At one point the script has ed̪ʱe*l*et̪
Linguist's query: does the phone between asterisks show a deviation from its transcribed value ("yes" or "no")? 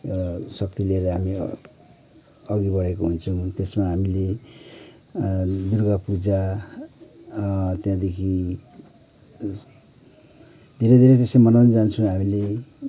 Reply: yes